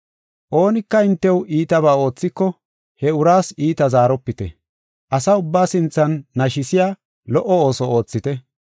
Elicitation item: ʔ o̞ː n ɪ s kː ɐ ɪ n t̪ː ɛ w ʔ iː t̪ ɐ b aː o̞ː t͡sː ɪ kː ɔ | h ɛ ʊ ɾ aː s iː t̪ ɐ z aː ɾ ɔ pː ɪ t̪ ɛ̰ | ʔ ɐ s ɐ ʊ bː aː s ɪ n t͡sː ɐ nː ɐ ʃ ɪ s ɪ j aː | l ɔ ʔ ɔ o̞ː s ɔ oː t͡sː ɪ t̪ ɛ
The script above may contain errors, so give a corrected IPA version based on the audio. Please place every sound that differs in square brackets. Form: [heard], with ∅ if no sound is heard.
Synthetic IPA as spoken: ʔ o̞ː n ɪ [∅] kː ɐ ɪ n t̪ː ɛ w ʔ iː t̪ ɐ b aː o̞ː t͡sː ɪ kː ɔ | h ɛ ʊ ɾ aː s iː t̪ ɐ z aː ɾ ɔ pː ɪ t̪ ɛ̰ | ʔ ɐ s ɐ ʊ bː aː s ɪ n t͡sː ɐ nː ɐ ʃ ɪ s ɪ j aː | l ɔ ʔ ɔ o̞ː s ɔ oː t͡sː ɪ t̪ ɛ

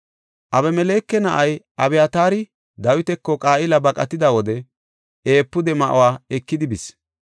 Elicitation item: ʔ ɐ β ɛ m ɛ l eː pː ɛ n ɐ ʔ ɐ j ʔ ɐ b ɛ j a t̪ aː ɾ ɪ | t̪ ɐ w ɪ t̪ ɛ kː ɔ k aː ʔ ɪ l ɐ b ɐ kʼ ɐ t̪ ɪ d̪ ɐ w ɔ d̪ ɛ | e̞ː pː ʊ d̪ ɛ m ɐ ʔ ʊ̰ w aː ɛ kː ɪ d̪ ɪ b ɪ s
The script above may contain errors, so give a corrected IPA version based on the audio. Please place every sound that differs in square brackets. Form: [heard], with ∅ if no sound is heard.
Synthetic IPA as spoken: ʔ ɐ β ɛ m ɛ l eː [kː] ɛ n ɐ ʔ ɐ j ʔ ɐ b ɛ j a t̪ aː ɾ ɪ | [d̪] ɐ w ɪ t̪ ɛ kː ɔ [kʼ] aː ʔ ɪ l ɐ b ɐ kʼ ɐ t̪ ɪ d̪ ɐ w ɔ d̪ ɛ | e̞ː pː ʊ d̪ ɛ m ɐ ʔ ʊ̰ w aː ɛ kː ɪ d̪ ɪ b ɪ s

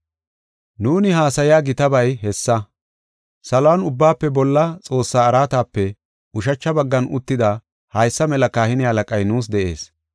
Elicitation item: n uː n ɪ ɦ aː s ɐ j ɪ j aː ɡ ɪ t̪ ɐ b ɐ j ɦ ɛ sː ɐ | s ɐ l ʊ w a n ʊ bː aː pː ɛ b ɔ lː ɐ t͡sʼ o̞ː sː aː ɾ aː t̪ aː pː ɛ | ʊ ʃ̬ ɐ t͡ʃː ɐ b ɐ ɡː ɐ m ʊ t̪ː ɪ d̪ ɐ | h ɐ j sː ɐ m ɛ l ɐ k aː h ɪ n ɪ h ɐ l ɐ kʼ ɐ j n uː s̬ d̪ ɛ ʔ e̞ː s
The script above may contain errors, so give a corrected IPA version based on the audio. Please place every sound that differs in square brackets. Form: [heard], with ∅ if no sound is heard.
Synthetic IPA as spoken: n uː n ɪ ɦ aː s ɐ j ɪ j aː ɡ ɪ t̪ ɐ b ɐ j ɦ ɛ sː ɐ | s ɐ l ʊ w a n ʊ bː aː pː ɛ b ɔ lː ɐ t͡sʼ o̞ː sː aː ɾ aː t̪ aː pː ɛ | ʊ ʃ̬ ɐ t͡ʃː ɐ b ɐ ɡː ɐ [n] ʊ t̪ː ɪ d̪ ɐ | h ɐ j sː ɐ m ɛ l ɐ k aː h ɪ n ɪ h ɐ l ɐ kʼ ɐ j n uː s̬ d̪ ɛ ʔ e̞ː s

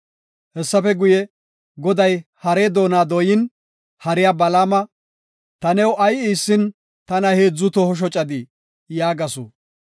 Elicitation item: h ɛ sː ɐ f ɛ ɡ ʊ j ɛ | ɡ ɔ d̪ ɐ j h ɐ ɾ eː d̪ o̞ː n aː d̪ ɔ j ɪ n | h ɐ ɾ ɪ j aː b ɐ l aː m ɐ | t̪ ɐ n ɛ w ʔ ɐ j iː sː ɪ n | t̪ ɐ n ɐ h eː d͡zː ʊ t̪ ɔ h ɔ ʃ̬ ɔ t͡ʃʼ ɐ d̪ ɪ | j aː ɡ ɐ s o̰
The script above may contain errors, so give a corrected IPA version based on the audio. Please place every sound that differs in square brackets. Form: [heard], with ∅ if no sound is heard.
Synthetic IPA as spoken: h ɛ sː ɐ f ɛ ɡ ʊ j ɛ | ɡ ɔ d̪ ɐ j h ɐ ɾ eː d̪ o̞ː n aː d̪ ɔ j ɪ n | h ɐ ɾ ɪ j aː b ɐ l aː m ɐ | t̪ ɐ n ɛ w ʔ ɐ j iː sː ɪ n | t̪ ɐ n ɐ h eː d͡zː ʊ t̪ ɔ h ɔ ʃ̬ ɔ t͡ʃʼ ɐ d̪ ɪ | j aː ɡ ɐ s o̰

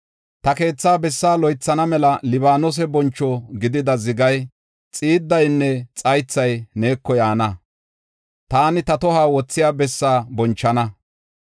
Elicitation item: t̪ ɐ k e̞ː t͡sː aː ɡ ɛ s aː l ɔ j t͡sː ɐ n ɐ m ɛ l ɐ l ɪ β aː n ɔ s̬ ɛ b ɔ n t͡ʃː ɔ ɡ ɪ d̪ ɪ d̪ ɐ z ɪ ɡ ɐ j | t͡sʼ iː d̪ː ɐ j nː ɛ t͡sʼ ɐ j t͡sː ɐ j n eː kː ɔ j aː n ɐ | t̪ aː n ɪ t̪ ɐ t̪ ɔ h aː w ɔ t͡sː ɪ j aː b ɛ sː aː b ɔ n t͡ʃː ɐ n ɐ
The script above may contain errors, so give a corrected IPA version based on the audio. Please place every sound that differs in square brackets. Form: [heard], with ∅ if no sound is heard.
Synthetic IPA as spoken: t̪ ɐ k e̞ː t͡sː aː [b] ɛ [sː] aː l ɔ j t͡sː ɐ n ɐ m ɛ l ɐ l ɪ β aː n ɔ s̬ ɛ b ɔ n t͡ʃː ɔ ɡ ɪ d̪ ɪ d̪ ɐ z ɪ ɡ ɐ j | t͡sʼ iː d̪ː ɐ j nː ɛ t͡sʼ ɐ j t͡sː ɐ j n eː kː ɔ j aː n ɐ | t̪ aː n ɪ t̪ ɐ t̪ ɔ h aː w ɔ t͡sː ɪ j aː b ɛ sː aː b ɔ n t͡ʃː ɐ n ɐ

